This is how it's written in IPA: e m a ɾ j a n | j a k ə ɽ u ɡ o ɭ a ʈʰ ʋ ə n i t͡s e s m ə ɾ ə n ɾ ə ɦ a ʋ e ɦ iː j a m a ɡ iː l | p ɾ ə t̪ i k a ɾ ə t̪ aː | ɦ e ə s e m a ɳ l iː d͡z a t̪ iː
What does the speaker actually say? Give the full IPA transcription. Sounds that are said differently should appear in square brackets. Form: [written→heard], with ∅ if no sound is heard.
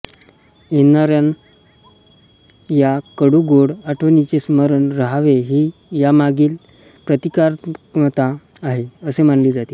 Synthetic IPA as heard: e [m→n] a ɾ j a n | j a k ə ɽ u ɡ o [ɭ→ɽ] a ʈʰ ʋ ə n i t͡s e s m ə ɾ ə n ɾ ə ɦ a ʋ e ɦ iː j a m a ɡ iː l | p ɾ ə t̪ i k a ɾ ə t̪ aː | ɦ e ə s e m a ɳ l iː d͡z a t̪ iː

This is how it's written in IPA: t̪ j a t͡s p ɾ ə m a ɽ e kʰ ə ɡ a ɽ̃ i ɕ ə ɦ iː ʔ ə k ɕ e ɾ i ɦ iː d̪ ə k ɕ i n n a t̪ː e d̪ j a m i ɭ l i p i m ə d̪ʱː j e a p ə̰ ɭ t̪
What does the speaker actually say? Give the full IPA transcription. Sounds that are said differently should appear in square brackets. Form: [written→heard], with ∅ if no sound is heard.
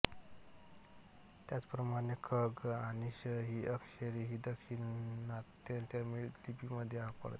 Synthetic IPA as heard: t̪ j a t͡s p ɾ ə m a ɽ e kʰ ə ɡ a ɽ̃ i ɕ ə ɦ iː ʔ ə k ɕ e ɾ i ɦ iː d̪ ə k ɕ i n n a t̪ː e [d̪→t̪] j a m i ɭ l i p i m ə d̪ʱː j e a p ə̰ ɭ t̪

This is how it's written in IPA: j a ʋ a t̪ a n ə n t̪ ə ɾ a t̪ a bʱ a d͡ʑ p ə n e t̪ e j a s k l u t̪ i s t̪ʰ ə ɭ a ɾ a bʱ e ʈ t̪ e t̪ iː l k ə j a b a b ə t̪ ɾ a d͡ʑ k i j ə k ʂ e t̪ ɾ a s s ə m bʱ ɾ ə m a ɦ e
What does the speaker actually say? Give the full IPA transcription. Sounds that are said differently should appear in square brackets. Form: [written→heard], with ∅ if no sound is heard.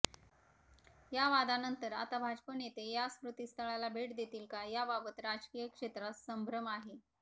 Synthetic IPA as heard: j a ʋ a [t̪→d̪] a n ə n t̪ ə ɾ a t̪ a bʱ a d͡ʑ p ə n e t̪ e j a s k [l→ɾ] u t̪ i s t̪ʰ ə ɭ a [ɾ→l] a bʱ e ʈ [t̪→d̪] e t̪ iː l k [ə→a] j a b a b ə t̪ ɾ a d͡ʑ k i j ə k ʂ e t̪ ɾ a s s ə m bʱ ɾ ə m a ɦ e

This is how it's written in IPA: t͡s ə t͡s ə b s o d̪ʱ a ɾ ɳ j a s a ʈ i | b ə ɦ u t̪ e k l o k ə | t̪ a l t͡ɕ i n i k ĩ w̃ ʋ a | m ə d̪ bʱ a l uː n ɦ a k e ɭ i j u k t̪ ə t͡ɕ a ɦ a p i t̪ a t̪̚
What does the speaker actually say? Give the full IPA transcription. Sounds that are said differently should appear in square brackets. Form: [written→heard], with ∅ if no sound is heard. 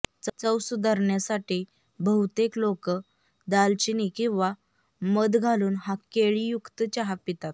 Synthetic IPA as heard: t͡s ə t͡s ə [b→w] s [o→u] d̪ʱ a ɾ ɳ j a s a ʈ i | b ə ɦ u t̪ e k l o k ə | [t̪→d̪] a l t͡ɕ i n i k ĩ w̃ ʋ a | m ə d̪ [bʱ→ɡʱ] a l uː n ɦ a k e ɭ i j u k t̪ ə t͡ɕ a ɦ a p i t̪ a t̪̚

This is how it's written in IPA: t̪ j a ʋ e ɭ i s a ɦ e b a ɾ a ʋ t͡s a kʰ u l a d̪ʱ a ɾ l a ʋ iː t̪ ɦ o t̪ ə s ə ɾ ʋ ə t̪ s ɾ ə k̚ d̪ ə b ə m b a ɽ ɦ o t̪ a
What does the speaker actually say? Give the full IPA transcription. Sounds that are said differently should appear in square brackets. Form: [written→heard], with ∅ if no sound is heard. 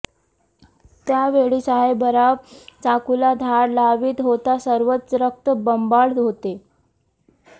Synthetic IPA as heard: t̪ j a ʋ e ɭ i s a ɦ e b [a→ə] ɾ a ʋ t͡s a [kʰ→k] u l a d̪ʱ a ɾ l a ʋ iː t̪ ɦ o t̪ [ə→a] s ə ɾ ʋ ə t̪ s ɾ ə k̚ [d̪→t̪] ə b ə m b a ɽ ɦ o t̪ [a→e]

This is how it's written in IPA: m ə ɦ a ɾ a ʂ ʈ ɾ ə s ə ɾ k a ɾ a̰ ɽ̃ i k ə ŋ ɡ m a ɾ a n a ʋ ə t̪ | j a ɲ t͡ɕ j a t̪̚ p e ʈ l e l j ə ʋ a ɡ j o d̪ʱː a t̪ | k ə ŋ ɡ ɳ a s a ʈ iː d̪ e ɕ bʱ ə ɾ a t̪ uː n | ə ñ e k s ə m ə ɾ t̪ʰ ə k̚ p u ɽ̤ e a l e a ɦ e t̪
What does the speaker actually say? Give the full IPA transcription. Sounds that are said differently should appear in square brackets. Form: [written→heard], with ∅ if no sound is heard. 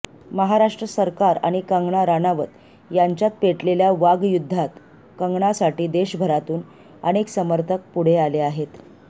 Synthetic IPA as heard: m ə ɦ a ɾ a ʂ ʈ ɾ ə s ə ɾ k a ɾ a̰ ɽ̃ i k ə ŋ ɡ [m→ɳ] a ɾ a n a ʋ ə t̪ | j a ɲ t͡ɕ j a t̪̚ p e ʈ l e l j [ə→a] ʋ a ɡ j [o→u] d̪ʱː a t̪ | k ə ŋ ɡ ɳ a s a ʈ iː d̪ e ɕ bʱ ə ɾ a t̪ uː n | ə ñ e k s ə m ə ɾ t̪ʰ ə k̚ p u ɽ̤ e a l e a ɦ e t̪

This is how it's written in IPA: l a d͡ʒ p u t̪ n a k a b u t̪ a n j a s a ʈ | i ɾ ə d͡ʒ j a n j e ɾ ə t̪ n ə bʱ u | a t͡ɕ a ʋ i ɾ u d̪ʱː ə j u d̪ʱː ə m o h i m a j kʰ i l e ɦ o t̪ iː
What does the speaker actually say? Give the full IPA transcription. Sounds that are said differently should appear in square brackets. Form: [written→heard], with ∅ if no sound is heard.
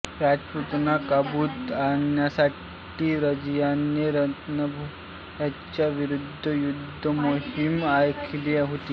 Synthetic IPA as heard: [l→ɾ] a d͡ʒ p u t̪ n a k a b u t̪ a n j a s a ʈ | i ɾ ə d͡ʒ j a n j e ɾ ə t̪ n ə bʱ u | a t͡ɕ a ʋ i ɾ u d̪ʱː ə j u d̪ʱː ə m o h i m a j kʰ i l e ɦ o t̪ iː

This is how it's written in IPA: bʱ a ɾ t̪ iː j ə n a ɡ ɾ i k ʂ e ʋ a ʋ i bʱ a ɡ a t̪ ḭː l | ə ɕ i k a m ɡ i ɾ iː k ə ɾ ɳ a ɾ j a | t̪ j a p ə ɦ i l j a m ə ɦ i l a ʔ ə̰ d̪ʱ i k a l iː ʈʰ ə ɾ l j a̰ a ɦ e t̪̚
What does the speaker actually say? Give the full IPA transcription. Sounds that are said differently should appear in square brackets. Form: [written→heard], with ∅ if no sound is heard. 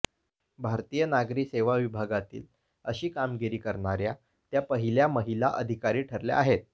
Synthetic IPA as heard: bʱ a ɾ t̪ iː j ə n a ɡ ɾ i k [ʂ→s] e ʋ a ʋ i bʱ a ɡ a t̪ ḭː l | ə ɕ [i→iː] k a m ɡ i ɾ iː k ə ɾ ɳ a ɾ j a | t̪ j a p ə ɦ i l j a m ə ɦ i l a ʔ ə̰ d̪ʱ i k a [l→ɾ] iː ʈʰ ə ɾ l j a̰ a ɦ e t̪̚

